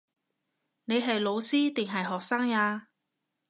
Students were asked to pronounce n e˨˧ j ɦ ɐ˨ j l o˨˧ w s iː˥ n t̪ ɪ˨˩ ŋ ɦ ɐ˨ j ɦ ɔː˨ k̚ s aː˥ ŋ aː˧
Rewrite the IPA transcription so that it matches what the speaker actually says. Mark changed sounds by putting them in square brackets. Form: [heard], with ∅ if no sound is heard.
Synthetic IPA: n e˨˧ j ɦ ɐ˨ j l o˨˧ w s iː˥ [∅] t̪ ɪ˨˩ ŋ ɦ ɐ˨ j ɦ ɔː˨ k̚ s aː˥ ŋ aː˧